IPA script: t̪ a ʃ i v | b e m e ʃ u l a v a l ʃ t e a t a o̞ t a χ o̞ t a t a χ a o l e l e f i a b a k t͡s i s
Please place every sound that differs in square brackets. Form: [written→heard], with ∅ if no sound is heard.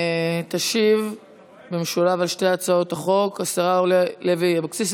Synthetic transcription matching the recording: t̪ a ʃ i v | b e m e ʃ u l a v a l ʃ t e a [t→t͡s] a o̞ t a χ o̞ [t→k] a [t→s] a [χ→ʁ] a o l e l e [f→v] i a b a k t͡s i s